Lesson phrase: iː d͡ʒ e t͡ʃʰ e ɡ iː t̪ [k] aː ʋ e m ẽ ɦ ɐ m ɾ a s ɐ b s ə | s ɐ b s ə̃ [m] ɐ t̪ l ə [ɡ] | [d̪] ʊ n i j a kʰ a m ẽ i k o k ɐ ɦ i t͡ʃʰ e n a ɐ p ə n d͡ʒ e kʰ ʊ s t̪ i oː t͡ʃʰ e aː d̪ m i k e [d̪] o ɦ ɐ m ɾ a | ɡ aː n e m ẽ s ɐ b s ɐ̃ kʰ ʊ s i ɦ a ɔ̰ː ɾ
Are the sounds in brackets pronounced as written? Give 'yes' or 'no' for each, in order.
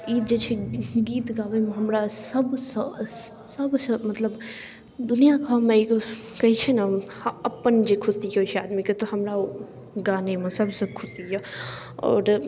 no, yes, no, yes, no

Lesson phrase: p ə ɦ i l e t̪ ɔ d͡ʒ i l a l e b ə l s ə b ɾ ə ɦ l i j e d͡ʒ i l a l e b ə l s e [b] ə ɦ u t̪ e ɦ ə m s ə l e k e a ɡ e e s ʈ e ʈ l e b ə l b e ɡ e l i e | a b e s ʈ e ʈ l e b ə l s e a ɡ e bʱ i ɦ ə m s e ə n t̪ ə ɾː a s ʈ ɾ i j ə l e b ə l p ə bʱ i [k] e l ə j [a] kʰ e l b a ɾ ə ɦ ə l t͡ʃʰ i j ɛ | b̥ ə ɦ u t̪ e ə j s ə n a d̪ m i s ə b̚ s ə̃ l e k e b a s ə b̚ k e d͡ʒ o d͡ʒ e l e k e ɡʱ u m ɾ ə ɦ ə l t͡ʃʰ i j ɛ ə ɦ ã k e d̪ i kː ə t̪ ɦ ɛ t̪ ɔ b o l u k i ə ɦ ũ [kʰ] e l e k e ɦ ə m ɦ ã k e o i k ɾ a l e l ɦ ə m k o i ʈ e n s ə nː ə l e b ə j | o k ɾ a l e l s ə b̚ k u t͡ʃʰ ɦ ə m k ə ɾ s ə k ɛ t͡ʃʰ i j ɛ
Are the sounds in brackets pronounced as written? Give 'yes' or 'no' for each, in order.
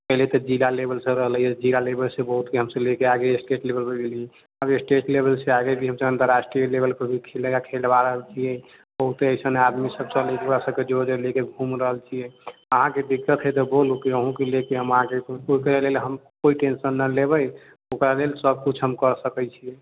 yes, no, yes, no

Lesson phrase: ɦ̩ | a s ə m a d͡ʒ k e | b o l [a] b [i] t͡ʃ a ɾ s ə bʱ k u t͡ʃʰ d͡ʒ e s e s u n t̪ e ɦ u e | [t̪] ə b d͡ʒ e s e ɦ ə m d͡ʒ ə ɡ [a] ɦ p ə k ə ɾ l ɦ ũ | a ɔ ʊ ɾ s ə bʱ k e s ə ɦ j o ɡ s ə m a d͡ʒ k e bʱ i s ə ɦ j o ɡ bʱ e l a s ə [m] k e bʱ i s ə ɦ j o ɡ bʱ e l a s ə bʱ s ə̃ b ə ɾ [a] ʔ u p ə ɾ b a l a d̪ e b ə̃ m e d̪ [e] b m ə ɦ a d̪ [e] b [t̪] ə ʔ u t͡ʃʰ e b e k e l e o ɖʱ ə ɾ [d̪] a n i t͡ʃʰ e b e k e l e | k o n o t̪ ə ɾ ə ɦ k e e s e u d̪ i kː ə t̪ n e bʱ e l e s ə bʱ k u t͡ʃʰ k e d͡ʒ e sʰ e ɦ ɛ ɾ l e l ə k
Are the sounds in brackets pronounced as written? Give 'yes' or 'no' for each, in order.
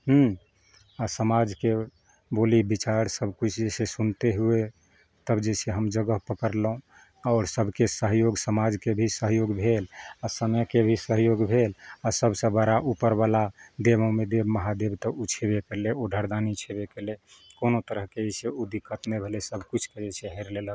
no, yes, yes, no, yes, yes, yes, yes, yes, yes

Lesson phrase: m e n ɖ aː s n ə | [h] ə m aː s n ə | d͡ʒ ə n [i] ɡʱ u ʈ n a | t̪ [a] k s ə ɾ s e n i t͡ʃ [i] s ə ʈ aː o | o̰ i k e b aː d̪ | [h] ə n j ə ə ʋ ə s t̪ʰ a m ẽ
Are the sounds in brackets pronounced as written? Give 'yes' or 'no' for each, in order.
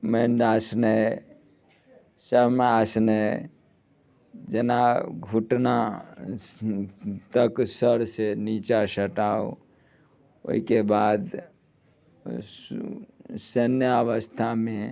no, no, no, no, no

